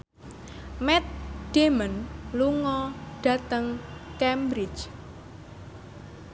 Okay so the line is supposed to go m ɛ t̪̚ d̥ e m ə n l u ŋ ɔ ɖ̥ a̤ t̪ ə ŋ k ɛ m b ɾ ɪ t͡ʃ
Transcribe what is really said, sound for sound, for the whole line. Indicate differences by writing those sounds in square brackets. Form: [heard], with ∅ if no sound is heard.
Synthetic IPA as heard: m ɛ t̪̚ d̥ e m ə n l u ŋ ɔ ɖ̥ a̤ t̪ ə ŋ k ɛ m b ɾ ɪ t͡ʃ